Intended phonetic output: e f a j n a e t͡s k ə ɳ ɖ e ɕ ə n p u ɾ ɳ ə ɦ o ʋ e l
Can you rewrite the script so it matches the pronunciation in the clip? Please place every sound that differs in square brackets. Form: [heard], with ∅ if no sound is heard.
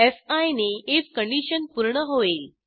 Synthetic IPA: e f a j n [e] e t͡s k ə ɳ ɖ [i] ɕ ə n p u ɾ ɳ ə ɦ o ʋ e l

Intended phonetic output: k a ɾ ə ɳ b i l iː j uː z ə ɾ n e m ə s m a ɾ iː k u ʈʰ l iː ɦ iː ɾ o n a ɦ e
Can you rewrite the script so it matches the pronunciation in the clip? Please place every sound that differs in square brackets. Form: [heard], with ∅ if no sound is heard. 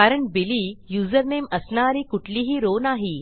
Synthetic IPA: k a ɾ ə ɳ b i l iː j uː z ə ɾ n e m ə s [n] a ɾ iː k u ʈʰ l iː ɦ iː ɾ o n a ɦ [i]

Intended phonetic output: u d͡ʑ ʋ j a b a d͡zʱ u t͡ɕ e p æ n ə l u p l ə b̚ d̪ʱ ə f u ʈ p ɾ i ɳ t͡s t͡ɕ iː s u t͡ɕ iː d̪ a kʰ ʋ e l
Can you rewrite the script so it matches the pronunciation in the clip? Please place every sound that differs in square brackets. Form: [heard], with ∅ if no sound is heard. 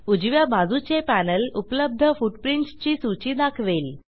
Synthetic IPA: u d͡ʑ ʋ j a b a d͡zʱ u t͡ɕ e p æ n ə l u p l ə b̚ d̪ʱ ə f u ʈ p ɾ i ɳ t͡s t͡ɕ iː s u t͡ɕ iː d̪ a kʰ ʋ e l

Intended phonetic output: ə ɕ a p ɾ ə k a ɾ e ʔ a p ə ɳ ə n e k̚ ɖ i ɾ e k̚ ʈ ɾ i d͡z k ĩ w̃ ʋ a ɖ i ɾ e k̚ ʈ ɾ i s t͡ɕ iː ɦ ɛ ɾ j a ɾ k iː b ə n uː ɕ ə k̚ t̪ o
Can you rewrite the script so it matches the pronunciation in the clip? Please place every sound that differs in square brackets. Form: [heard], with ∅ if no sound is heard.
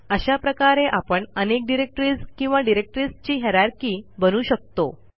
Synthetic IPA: ə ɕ a p ɾ ə k a ɾ e ʔ a p ə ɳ ə n e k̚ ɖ i ɾ e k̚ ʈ ɾ i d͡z k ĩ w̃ ʋ a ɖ i ɾ e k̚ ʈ ɾ i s t͡ɕ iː ɦ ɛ ɾ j a ɾ k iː b ə n uː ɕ ə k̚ t̪ o

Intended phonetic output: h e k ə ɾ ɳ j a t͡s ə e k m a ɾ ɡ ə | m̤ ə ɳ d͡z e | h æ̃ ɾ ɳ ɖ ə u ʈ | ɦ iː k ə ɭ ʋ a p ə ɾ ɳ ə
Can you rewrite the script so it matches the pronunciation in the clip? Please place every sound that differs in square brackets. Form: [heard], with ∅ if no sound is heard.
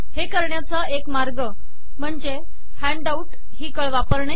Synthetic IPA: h e k ə ɾ ɳ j a t͡s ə e k m a ɾ ɡ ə | m̤ ə ɳ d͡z e | h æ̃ [∅] ɳ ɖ [a] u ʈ | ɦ iː k ə ɭ ʋ a p ə ɾ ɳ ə

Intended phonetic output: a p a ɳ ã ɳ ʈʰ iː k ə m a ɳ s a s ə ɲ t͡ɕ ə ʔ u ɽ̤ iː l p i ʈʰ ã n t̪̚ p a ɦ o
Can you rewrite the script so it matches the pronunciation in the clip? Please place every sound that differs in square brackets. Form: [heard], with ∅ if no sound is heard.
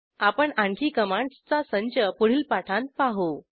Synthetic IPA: a p [ə] ɳ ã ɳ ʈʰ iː k ə m a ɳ [t͡s] a s ə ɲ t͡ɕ ə [p] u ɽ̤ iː l p [a] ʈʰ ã n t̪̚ p a ɦ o

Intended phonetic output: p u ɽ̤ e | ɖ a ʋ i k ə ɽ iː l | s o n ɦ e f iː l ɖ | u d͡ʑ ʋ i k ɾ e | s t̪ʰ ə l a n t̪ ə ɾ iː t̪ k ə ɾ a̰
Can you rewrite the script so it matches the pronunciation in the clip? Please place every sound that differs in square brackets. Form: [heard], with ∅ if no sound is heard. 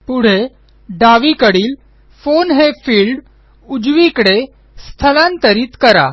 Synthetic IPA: p u ɽ̤ e | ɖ a ʋ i k ə ɽ iː l | [f] o n ɦ e f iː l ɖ | u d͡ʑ ʋ i k [ɽ] e | s t̪ʰ ə l a n t̪ ə ɾ iː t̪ k ə ɾ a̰

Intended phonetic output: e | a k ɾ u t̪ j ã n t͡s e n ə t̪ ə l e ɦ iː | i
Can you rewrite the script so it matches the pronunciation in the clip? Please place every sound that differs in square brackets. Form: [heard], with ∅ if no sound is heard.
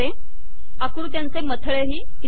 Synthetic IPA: e | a k ɾ u t̪ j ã n t͡s e [m] ə [t̪ʰ] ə [ɭ] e ɦ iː | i

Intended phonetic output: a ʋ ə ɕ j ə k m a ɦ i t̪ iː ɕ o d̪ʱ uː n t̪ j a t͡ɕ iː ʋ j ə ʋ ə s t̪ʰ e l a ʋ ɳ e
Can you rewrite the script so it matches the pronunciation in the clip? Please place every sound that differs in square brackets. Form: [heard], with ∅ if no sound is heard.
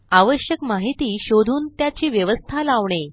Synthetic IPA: a ʋ ə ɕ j ə k m a ɦ i t̪ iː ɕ o d̪ʱ uː n t̪ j a t͡ɕ iː ʋ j ə ʋ ə s t̪ʰ [a] l a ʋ ɳ e

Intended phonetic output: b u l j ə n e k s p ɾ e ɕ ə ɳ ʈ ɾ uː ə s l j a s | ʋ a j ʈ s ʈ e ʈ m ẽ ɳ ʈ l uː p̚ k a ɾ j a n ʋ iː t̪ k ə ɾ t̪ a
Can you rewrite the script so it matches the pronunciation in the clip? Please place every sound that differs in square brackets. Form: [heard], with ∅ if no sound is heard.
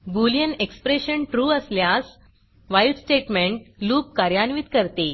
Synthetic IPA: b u l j ə n e k s p ɾ e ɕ ə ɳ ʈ ɾ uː ə s l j a s | ʋ a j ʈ s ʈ e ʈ m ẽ ɳ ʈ l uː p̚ k a ɾ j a n ʋ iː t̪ k ə ɾ t̪ [e]

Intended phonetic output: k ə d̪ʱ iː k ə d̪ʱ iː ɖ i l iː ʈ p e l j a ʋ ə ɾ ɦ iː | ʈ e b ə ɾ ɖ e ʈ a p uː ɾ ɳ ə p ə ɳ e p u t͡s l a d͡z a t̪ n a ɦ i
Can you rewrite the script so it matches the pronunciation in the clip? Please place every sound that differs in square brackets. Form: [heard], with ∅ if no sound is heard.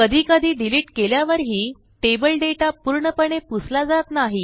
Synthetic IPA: k ə d̪ʱ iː k ə d̪ʱ iː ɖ i l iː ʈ [k] e l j a ʋ ə ɾ ɦ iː | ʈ e b ə [l] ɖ e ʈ a p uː ɾ ɳ ə p ə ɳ e p u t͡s l a d͡z a t̪ n a ɦ i

